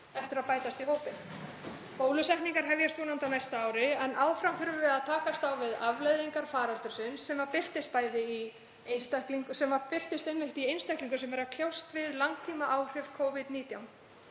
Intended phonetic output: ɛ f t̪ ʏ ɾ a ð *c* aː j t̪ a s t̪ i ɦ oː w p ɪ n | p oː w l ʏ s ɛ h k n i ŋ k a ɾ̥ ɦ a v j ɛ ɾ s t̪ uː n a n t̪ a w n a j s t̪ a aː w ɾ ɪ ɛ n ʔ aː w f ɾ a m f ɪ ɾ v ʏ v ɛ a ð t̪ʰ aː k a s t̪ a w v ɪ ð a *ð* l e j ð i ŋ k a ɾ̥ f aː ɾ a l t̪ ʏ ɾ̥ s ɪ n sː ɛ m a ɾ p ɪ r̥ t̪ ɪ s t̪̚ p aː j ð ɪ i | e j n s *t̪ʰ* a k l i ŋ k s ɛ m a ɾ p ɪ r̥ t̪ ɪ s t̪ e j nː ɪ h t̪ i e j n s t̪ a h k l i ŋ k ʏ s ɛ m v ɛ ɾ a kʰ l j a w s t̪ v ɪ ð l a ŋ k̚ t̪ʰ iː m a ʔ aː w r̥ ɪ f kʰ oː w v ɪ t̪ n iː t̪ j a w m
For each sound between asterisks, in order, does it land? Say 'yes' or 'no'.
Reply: no, no, no

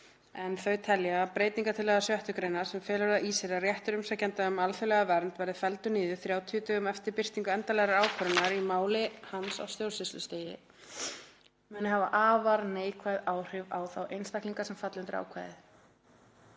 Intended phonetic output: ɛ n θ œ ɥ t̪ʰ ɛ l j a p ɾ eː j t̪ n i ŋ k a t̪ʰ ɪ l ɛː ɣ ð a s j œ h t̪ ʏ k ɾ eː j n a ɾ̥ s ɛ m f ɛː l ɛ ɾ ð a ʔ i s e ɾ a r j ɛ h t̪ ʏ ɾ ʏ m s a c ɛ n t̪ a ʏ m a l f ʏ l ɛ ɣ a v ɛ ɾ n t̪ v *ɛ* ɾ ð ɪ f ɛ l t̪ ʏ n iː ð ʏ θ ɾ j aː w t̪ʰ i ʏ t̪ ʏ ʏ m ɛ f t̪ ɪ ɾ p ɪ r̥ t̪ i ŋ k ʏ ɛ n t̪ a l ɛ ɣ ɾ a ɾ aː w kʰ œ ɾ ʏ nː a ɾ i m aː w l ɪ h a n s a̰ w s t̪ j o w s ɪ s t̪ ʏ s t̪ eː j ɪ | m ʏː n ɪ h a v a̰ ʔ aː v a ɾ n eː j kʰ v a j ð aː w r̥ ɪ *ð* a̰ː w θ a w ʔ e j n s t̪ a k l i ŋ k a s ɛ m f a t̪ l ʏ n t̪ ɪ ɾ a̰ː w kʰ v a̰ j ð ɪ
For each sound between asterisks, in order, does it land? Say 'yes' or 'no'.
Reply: yes, no

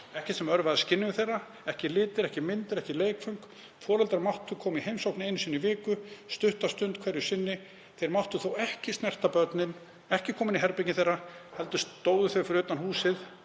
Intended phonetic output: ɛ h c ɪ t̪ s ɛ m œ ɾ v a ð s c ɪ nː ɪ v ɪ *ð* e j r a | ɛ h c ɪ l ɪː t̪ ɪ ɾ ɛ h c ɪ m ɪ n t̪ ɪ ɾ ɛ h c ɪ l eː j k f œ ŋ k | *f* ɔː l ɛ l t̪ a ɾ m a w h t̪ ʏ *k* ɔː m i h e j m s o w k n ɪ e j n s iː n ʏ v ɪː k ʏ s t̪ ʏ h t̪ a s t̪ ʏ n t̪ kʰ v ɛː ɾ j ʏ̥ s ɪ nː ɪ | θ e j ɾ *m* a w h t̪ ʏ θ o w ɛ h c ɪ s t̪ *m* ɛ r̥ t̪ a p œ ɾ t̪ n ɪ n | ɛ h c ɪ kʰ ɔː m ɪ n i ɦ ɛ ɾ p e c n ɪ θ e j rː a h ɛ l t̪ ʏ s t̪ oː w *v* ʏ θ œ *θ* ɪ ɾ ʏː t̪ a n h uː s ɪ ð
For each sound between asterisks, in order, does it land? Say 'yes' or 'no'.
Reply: no, yes, no, yes, no, no, no

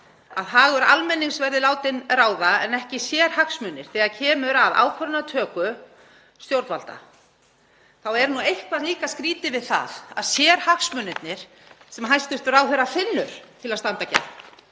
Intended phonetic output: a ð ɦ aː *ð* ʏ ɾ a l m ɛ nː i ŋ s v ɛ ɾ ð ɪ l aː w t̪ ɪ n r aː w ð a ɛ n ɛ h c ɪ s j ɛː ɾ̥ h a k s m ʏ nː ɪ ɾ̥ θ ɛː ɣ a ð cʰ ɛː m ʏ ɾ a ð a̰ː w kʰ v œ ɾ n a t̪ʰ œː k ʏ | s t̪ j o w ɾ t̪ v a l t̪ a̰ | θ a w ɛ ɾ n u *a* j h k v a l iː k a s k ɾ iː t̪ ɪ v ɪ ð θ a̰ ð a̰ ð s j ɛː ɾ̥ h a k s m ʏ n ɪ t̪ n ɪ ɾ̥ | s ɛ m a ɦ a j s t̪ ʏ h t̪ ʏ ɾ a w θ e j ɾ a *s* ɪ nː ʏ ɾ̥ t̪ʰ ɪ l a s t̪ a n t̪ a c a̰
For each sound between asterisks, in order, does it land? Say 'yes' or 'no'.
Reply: no, no, no

